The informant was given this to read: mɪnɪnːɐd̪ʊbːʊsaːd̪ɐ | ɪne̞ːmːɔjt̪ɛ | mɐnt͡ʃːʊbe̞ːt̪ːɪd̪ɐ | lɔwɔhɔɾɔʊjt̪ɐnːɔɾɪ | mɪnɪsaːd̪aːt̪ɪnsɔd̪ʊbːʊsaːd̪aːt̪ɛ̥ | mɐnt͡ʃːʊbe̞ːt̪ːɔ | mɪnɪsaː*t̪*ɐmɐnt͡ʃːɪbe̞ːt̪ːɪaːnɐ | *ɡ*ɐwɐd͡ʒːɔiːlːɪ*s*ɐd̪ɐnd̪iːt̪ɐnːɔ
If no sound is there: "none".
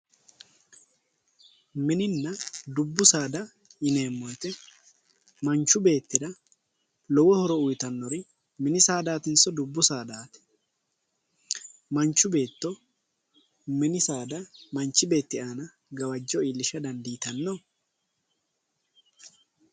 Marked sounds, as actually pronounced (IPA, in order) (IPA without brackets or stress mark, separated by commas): d̪, ɡ, ʃ